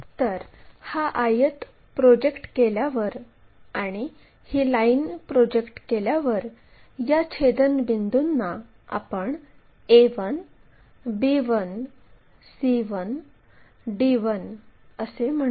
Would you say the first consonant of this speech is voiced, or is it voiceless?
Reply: voiceless